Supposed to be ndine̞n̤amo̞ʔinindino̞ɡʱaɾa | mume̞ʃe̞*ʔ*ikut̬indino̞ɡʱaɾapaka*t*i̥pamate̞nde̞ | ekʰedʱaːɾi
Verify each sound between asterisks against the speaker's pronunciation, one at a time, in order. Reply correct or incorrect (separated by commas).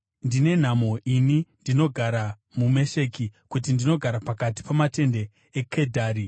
incorrect, correct